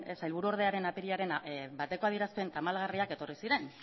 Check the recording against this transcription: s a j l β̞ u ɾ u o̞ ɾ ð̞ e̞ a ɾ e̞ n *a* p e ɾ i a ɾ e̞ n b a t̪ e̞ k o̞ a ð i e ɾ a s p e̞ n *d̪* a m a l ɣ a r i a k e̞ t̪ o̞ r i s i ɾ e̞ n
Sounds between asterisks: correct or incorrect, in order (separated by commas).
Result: correct, incorrect